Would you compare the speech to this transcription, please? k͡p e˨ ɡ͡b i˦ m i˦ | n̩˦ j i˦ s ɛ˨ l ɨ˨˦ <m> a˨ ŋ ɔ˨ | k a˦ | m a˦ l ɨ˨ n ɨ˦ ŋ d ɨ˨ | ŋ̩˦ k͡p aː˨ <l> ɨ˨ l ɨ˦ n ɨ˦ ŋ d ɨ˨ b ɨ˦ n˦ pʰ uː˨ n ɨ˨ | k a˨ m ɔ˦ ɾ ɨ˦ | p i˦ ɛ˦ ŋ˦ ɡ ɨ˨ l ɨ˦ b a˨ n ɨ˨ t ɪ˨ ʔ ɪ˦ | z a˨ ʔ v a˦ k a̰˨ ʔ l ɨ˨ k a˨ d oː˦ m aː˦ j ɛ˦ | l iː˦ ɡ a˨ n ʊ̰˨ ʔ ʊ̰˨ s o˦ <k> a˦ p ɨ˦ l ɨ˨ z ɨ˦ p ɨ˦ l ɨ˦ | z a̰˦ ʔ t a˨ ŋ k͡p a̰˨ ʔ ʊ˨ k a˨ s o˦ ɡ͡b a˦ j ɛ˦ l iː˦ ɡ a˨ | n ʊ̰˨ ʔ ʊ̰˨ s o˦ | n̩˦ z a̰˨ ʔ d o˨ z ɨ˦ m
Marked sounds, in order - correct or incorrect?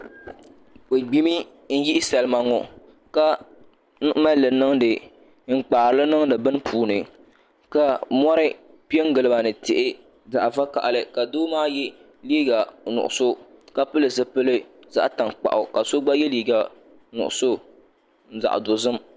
correct, incorrect: ɾ, correct

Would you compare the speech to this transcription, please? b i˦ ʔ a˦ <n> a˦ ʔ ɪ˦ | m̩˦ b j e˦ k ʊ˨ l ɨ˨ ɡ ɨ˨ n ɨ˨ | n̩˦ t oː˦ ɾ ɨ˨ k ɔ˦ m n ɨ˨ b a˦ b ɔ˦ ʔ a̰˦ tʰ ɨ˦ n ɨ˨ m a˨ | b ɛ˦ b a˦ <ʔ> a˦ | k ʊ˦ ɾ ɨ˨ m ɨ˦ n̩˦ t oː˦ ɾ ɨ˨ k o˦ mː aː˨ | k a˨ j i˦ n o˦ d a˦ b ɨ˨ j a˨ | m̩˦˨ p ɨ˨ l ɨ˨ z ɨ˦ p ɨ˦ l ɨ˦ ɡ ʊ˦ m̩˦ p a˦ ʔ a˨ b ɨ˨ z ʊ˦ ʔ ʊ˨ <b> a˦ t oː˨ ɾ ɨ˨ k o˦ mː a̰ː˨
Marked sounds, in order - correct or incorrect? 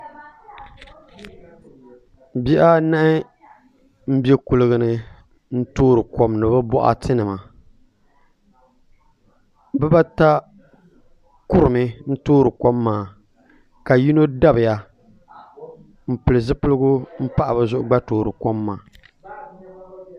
correct, incorrect: t, incorrect: ɡ͡b

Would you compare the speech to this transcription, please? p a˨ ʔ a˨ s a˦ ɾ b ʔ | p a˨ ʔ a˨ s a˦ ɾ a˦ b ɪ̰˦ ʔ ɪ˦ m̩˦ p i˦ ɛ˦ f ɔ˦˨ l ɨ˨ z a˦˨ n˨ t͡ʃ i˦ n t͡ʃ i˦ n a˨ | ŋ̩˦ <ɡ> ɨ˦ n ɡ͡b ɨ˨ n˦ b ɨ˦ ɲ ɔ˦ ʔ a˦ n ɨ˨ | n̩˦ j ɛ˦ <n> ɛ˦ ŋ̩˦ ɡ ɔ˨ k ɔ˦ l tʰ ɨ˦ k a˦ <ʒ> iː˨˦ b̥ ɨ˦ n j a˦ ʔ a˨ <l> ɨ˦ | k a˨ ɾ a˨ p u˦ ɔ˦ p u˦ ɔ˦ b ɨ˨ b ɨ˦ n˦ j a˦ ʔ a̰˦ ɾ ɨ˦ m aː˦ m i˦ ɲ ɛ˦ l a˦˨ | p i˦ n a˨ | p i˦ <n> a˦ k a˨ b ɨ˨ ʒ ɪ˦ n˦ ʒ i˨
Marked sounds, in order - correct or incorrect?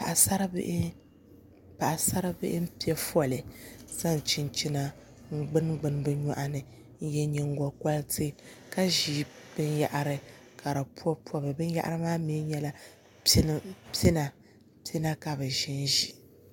incorrect: ɡ͡b, incorrect: ɲ, correct, incorrect: ɾ, correct

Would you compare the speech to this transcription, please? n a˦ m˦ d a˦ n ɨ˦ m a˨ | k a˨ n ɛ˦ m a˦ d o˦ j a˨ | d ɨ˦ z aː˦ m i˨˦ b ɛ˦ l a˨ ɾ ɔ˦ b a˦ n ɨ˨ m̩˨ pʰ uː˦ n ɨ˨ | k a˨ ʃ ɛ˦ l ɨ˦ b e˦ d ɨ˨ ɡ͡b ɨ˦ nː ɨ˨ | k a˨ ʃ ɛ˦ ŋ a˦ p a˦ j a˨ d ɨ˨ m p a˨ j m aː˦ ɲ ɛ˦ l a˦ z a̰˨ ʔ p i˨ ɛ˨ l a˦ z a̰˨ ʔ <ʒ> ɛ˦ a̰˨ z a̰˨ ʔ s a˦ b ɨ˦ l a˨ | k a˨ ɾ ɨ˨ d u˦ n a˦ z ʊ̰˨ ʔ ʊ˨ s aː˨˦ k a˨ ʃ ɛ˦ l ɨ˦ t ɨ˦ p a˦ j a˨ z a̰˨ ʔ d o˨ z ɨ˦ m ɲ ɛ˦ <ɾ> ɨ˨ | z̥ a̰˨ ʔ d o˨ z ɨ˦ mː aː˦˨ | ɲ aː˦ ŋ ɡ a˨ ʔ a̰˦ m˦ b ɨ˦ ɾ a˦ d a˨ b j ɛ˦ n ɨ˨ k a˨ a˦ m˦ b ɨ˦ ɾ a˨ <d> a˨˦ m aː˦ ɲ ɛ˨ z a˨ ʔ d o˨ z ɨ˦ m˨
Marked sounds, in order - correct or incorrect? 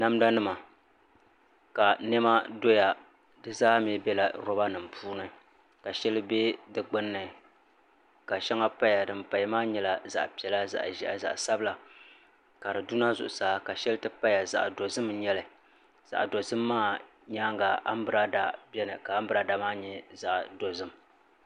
correct, incorrect: l, correct

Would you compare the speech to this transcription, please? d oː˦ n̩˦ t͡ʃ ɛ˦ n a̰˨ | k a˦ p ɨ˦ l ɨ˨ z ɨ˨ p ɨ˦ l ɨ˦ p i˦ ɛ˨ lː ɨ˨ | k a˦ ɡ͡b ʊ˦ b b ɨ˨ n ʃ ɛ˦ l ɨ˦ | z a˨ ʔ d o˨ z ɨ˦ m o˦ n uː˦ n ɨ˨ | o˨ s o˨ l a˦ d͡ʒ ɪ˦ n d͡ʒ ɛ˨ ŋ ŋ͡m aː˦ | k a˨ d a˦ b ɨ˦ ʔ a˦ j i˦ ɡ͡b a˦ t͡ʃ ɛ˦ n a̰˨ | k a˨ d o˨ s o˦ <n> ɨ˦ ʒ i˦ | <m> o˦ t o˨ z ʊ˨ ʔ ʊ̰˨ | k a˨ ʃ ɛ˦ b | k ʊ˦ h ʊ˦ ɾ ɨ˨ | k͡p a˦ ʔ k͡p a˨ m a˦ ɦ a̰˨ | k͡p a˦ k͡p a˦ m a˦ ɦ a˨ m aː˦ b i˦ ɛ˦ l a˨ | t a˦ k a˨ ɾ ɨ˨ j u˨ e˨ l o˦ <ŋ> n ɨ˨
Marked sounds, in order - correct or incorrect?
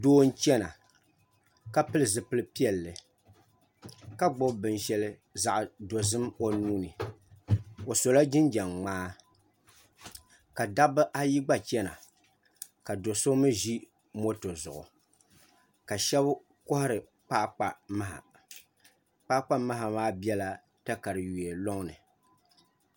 incorrect: m, correct, correct

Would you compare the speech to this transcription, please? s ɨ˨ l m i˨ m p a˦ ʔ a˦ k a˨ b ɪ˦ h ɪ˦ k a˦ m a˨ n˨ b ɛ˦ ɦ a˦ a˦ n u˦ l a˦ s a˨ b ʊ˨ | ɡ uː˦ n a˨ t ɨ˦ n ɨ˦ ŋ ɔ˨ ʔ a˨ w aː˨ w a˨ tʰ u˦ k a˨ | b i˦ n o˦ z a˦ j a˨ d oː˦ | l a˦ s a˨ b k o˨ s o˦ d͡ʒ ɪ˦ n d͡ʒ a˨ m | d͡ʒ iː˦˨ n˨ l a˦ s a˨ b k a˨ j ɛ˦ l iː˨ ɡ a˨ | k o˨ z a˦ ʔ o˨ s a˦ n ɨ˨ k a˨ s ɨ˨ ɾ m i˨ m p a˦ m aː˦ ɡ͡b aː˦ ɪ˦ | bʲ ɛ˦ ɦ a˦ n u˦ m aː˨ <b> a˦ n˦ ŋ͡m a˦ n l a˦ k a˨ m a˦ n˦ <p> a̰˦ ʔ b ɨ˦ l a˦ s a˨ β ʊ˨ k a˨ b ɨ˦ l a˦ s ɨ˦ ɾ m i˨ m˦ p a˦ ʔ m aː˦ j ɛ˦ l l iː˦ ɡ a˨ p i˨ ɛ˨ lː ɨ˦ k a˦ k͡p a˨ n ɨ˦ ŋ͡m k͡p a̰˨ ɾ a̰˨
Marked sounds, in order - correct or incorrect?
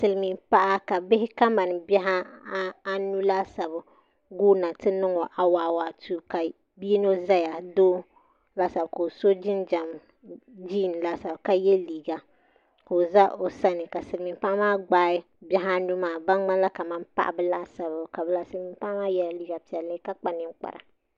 correct, correct

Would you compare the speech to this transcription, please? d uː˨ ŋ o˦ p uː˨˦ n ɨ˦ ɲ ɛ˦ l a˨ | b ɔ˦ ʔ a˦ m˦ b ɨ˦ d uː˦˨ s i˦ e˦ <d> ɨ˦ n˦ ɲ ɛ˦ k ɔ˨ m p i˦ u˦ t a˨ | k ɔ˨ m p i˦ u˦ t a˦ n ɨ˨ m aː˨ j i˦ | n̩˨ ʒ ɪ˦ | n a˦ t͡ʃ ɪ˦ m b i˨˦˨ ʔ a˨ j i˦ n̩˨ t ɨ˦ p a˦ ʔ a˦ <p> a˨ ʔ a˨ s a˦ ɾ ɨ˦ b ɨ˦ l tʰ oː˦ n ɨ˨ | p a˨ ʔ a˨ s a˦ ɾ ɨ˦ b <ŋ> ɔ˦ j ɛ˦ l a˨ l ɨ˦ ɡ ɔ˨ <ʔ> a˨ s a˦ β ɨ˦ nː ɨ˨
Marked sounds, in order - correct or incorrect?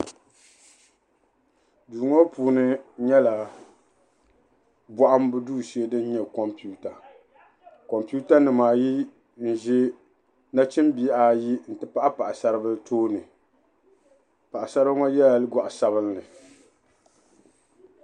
correct, correct, correct, correct

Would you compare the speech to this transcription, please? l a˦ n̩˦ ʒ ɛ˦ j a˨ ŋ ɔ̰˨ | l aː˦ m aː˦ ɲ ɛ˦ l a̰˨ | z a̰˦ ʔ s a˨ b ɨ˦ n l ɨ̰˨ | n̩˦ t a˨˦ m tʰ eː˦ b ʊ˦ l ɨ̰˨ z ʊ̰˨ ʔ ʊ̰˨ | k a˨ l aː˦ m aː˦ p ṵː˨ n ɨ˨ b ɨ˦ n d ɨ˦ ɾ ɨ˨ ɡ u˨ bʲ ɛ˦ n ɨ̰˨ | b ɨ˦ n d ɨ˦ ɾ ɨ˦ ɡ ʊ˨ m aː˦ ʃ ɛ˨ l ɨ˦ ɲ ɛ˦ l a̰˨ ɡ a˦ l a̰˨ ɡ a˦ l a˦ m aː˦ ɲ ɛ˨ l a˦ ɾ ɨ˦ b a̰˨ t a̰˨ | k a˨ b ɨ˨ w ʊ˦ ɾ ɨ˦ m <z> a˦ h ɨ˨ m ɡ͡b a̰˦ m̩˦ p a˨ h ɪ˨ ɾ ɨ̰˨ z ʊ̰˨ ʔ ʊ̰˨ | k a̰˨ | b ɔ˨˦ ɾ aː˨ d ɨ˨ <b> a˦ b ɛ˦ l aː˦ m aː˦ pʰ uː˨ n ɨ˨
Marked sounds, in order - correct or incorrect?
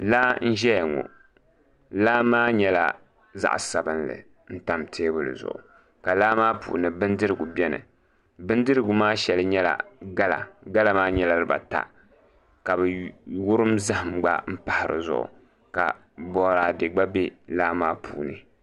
correct, incorrect: ɡ͡b

